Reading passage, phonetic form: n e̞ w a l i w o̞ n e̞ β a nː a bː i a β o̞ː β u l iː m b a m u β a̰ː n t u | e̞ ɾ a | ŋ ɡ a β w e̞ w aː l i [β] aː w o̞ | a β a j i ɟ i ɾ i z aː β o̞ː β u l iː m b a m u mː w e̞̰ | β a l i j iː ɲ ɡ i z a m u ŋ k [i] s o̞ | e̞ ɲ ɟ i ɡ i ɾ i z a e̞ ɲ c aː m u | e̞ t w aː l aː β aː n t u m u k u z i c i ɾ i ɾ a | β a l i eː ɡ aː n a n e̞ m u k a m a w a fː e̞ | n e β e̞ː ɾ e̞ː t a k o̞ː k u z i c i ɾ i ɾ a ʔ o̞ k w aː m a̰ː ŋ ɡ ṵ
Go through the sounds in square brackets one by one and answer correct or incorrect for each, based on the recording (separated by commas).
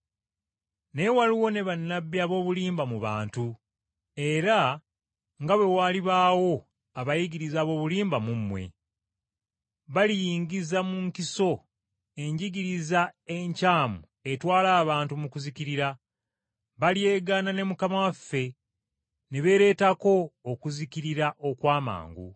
correct, correct